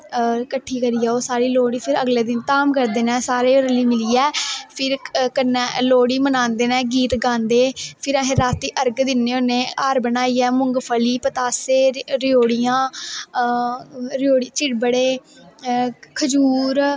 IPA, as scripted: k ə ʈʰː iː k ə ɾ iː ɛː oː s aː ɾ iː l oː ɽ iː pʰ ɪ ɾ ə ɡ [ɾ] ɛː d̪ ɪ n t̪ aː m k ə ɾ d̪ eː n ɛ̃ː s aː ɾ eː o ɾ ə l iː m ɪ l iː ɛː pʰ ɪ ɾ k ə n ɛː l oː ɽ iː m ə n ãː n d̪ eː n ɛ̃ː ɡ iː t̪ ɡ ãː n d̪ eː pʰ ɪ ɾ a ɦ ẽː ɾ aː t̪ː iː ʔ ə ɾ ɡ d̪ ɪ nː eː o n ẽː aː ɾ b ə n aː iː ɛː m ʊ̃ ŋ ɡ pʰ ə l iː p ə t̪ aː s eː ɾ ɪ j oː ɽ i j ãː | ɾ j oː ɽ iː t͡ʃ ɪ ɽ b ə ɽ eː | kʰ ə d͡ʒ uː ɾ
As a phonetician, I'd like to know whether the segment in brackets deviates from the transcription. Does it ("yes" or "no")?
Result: yes